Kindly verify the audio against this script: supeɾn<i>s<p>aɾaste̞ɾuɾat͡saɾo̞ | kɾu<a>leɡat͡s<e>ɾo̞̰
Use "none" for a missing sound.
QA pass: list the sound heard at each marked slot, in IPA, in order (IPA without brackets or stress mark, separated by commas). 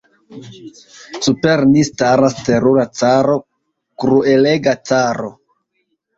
i, t, e, a